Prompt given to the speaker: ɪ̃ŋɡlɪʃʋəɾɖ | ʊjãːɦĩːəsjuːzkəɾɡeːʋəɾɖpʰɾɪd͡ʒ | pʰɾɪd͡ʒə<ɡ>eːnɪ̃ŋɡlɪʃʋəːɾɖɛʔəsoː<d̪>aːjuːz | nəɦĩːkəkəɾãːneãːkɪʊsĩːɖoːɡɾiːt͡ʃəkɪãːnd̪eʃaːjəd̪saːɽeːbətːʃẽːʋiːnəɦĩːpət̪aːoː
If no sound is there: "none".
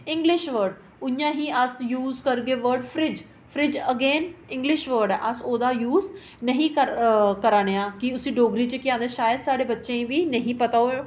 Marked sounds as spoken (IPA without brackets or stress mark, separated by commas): ɡ, d̪